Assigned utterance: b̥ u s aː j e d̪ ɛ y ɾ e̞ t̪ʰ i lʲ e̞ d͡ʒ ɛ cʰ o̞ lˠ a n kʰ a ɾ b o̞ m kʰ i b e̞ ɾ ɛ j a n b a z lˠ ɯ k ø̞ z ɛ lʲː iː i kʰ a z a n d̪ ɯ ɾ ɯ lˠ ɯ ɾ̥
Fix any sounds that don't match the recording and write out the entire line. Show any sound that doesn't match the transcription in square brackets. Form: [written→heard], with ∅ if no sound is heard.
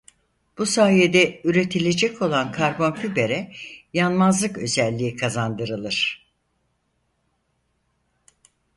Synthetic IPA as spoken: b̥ u s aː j e d̪ ɛ y ɾ e̞ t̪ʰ i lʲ e̞ d͡ʒ ɛ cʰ o̞ lˠ a n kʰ a ɾ b o̞ [m→n] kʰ [i→y] b e̞ ɾ ɛ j a n [b→m] a z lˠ ɯ k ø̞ z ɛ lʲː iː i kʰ a z a n d̪ ɯ ɾ ɯ lˠ ɯ ɾ̥